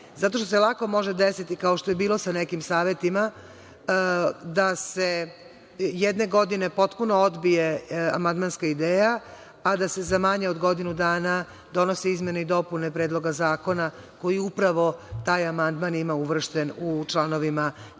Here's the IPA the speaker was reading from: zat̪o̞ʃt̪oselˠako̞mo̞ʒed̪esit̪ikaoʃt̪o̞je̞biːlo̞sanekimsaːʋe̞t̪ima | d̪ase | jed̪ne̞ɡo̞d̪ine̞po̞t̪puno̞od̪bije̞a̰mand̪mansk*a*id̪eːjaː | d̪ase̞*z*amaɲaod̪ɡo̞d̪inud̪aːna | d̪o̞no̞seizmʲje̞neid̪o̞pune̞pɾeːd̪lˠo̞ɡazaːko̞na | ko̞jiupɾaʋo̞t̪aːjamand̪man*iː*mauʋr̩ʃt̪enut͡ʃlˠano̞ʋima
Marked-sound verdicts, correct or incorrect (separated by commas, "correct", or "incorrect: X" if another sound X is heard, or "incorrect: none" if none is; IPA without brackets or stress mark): correct, correct, incorrect: i